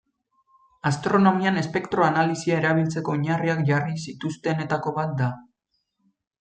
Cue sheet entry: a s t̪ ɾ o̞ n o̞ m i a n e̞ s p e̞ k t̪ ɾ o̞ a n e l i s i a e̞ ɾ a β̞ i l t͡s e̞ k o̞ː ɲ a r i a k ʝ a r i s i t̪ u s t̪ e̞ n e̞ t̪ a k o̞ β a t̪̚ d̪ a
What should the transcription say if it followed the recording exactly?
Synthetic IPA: a s t̪ ɾ o̞ n o̞ m i a n e̞ s p e̞ k t̪ ɾ o̞ a n a l i s i a e̞ ɾ a β̞ i l t͡s e̞ k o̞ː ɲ a r i a k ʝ a r i s i t̪ u s t̪ e̞ n e̞ t̪ a k o̞ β a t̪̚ d̪ a